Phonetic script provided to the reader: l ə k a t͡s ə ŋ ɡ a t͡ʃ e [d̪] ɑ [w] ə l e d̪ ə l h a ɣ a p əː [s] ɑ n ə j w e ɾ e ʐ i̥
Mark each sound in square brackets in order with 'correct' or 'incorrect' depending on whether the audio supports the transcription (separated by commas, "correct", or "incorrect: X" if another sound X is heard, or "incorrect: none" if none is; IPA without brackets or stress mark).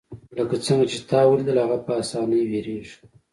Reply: incorrect: t̪, correct, correct